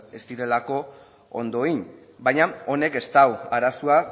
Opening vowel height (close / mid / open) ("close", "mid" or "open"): mid